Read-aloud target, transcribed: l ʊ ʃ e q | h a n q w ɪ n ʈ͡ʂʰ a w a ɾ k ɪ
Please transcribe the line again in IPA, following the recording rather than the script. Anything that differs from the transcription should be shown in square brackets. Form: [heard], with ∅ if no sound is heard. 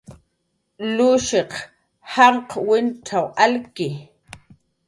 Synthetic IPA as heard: l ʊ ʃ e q | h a [ɴ] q w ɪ n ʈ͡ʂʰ a w a [l] k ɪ